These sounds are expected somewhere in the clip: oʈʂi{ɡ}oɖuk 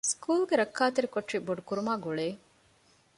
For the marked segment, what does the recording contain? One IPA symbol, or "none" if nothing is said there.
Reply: b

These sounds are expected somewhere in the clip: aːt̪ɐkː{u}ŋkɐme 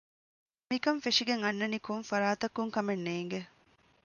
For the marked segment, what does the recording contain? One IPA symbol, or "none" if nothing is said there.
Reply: u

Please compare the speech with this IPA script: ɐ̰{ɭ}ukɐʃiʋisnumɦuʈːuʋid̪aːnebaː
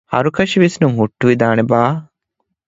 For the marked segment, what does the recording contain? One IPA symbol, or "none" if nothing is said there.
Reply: ɾ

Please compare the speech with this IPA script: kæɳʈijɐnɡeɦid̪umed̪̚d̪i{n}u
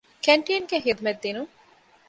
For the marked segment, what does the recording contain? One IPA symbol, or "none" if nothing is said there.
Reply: n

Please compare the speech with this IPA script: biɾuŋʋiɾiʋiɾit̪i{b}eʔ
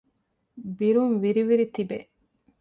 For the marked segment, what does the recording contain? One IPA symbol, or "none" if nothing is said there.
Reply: b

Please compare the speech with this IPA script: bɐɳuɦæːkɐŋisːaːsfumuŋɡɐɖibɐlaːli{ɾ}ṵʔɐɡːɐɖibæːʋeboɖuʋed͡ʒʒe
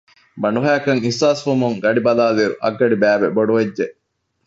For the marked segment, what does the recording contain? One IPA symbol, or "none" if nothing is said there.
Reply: ɾ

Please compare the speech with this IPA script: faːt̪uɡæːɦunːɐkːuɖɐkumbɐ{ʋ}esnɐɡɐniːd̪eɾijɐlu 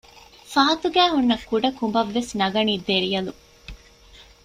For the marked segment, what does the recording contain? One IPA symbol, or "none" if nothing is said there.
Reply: ʋː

